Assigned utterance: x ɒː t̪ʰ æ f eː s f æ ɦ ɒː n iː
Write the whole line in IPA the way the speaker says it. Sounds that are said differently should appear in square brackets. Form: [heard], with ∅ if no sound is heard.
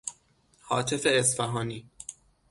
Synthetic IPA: [h] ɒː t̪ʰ [e] f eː s f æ ɦ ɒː n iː